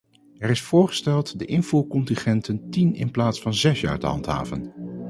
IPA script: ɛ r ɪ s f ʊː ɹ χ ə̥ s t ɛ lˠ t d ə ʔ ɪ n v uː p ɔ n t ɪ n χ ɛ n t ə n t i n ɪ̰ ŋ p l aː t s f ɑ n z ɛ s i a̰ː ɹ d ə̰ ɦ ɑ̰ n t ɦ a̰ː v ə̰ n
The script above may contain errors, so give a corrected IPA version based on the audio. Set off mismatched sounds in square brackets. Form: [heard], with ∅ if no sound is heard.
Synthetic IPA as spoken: ɛ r ɪ s f ʊː ɹ χ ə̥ s t ɛ lˠ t d ə ʔ ɪ n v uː [k] ɔ n t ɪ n χ ɛ n t ə n t i n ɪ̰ [n] p l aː t s f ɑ n z ɛ s [j] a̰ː ɹ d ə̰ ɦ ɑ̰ n t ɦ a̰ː v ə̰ n